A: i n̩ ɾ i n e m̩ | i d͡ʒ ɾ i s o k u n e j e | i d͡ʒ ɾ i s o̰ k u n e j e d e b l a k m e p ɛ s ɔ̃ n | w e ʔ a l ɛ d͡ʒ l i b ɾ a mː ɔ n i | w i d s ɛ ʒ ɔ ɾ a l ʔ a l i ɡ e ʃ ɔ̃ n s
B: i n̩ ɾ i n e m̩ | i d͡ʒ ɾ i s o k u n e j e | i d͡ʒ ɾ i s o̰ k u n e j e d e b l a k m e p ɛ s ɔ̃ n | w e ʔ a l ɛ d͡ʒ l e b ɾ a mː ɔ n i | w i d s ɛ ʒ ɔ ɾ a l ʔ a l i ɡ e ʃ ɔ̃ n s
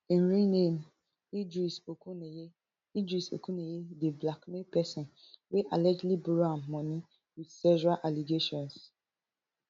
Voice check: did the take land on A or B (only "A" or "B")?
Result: A